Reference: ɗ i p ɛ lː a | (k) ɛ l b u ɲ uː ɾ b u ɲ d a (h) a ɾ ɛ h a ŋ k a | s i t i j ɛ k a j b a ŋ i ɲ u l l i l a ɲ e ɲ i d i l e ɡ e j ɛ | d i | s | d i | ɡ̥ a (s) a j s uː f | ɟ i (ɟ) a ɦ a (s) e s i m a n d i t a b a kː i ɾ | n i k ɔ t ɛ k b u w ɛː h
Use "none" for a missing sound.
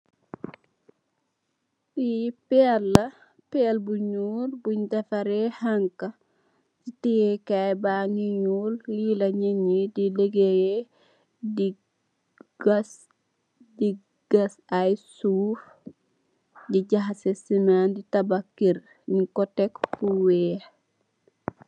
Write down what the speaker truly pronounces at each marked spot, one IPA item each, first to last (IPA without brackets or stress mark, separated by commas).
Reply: p, f, s, ɟ, s